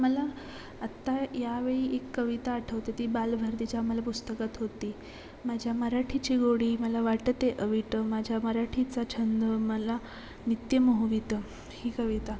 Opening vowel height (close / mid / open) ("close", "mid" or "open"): mid